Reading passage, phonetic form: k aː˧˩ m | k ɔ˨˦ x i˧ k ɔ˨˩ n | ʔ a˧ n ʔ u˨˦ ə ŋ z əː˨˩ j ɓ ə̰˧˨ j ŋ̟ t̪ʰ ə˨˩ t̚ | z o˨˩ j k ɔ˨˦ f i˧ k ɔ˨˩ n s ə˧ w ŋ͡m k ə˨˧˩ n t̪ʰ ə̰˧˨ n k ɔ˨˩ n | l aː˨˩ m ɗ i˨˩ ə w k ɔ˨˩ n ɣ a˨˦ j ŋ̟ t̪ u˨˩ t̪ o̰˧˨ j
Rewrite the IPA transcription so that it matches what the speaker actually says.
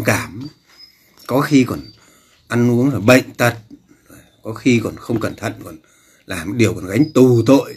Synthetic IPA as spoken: k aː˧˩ m | k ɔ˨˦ x i˧ k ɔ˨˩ n | ʔ a˧ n ʔ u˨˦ ə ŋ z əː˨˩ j ɓ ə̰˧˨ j ŋ̟ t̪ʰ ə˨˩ t̚ | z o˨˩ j k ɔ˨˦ x i˧ k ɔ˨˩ n x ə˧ w ŋ͡m k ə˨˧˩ n t̪ʰ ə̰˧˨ n k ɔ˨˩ n | l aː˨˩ m ɗ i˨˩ ə w k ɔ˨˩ n ɣ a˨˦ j ŋ̟ t̪ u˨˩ t̪ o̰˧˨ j